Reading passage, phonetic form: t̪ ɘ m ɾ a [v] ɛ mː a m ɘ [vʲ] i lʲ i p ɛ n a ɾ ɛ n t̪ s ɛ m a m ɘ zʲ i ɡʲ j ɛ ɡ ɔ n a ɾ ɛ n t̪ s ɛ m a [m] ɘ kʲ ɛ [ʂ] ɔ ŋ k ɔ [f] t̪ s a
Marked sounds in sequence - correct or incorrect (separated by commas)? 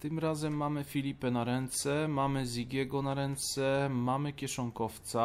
incorrect, incorrect, correct, correct, correct